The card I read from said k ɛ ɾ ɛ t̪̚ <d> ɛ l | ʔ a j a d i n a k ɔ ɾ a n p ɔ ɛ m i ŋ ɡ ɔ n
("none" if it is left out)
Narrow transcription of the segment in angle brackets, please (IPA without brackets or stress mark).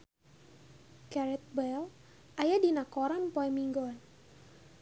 b